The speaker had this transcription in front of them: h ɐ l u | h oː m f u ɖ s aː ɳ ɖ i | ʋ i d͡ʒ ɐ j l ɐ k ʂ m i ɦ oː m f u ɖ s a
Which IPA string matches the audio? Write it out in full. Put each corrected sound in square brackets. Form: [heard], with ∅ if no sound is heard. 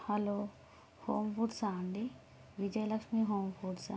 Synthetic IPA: h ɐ l [o] | h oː m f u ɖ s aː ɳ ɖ i | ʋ i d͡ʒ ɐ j l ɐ k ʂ m i ɦ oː m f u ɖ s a